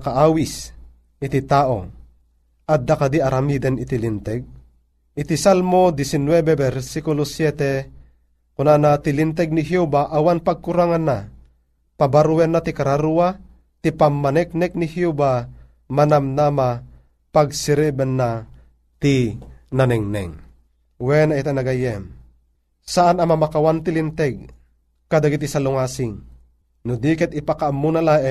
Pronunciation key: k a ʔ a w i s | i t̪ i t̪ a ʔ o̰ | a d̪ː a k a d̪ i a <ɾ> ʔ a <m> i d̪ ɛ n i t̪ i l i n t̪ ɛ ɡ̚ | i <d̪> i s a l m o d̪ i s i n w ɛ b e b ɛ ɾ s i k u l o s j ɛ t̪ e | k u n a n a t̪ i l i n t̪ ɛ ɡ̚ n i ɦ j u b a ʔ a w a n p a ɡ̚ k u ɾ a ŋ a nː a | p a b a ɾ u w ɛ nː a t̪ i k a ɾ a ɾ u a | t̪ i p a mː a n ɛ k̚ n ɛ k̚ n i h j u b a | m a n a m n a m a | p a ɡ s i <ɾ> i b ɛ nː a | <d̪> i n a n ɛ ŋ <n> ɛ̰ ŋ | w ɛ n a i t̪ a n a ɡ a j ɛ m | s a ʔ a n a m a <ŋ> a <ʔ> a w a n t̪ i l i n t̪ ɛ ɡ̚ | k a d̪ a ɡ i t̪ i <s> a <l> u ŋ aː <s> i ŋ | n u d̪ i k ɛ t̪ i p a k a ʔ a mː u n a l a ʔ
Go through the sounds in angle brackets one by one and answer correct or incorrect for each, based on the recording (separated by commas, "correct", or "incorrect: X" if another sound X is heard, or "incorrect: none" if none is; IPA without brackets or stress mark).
correct, correct, incorrect: t̪, correct, incorrect: t̪, correct, incorrect: m, incorrect: k, correct, correct, correct